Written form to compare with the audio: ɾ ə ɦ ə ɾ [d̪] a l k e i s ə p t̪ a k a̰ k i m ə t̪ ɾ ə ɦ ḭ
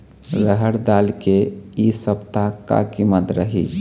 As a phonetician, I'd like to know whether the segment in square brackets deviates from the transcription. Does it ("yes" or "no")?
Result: no